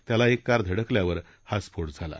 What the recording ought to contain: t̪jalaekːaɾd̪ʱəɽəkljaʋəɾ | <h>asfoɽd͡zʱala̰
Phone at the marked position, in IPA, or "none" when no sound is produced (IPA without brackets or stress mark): h